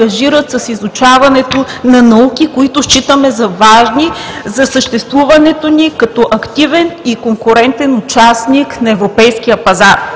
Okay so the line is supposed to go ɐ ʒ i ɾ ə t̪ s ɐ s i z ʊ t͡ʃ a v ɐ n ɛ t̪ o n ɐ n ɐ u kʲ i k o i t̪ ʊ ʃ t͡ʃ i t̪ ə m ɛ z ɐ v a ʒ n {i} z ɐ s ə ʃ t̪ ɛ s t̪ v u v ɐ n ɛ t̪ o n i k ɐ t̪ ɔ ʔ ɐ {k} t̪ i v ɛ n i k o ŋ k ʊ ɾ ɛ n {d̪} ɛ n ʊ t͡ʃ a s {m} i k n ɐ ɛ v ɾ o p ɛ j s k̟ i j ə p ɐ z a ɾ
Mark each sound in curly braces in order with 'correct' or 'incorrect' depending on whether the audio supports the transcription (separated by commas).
correct, correct, incorrect, incorrect